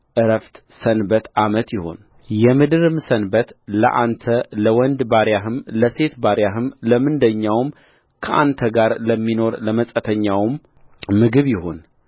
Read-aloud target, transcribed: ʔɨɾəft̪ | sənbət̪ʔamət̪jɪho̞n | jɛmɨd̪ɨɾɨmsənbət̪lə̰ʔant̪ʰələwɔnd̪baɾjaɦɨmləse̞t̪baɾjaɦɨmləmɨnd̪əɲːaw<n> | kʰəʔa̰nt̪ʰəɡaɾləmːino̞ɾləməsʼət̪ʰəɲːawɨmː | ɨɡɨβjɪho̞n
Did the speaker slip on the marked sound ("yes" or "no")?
yes